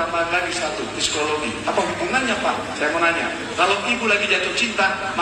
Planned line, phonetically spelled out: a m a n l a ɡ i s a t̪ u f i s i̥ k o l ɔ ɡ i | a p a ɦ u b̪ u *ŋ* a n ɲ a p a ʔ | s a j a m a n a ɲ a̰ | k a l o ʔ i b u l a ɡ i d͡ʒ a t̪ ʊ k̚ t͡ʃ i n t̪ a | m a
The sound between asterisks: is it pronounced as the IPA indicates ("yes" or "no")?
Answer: yes